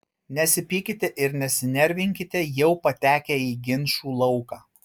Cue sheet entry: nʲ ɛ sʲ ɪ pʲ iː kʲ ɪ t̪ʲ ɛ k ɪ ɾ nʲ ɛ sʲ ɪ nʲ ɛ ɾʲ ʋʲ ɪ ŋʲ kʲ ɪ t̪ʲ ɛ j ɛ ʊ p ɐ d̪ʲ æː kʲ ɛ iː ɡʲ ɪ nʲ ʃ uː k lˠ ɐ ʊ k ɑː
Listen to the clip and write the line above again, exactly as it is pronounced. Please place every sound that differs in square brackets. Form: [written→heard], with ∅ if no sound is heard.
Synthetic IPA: nʲ ɛ sʲ ɪ pʲ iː kʲ ɪ t̪ʲ ɛ [k→ʔ] ɪ ɾ nʲ ɛ sʲ ɪ nʲ ɛ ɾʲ ʋʲ ɪ ŋʲ kʲ ɪ t̪ʲ ɛ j ɛ ʊ p ɐ [d̪ʲ→t̪ʲ] æː kʲ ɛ iː ɡʲ ɪ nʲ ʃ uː [k→∅] lˠ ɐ ʊ k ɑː